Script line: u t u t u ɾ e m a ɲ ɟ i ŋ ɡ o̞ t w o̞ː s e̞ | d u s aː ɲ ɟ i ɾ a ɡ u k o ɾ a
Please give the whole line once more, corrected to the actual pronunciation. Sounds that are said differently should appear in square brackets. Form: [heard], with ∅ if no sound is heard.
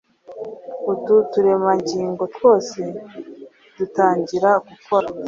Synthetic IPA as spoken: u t u t u ɾ e m a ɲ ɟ [iː] ŋ ɡ o̞ t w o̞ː s e̞ | d u [t] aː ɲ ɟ i ɾ a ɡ u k o ɾ a